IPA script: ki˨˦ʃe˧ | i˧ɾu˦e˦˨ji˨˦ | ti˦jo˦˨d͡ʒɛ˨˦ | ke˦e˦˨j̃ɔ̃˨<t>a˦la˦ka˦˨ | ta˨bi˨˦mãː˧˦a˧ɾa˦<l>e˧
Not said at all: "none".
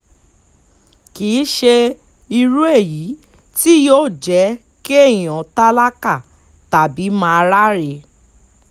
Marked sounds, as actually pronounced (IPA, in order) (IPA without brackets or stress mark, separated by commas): t, ɾ